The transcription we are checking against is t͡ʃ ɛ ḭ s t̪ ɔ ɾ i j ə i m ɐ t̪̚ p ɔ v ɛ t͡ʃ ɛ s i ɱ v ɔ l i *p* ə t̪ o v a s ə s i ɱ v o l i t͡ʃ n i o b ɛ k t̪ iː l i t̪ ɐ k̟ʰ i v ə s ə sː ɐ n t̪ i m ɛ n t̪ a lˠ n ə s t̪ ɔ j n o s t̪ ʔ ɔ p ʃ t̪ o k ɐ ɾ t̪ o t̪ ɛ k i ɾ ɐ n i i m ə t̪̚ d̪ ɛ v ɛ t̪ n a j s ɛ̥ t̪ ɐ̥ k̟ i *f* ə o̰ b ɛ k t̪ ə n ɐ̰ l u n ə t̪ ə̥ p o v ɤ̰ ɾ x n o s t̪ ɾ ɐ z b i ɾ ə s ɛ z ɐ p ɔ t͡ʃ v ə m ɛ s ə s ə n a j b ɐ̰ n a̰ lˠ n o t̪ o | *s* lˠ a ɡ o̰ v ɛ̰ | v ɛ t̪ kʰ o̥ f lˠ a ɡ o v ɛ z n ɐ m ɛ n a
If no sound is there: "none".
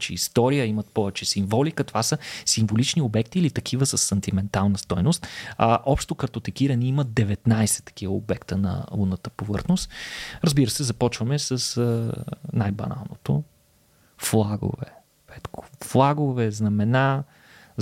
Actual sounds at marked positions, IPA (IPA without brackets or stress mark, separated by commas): k, v, f